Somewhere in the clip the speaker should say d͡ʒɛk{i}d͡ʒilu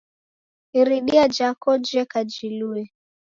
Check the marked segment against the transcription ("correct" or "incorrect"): incorrect